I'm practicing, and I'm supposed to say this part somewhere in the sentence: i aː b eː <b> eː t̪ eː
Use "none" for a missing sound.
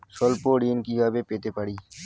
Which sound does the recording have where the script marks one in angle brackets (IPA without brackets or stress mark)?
p